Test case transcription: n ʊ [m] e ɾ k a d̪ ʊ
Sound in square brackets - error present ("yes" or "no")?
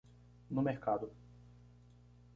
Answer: no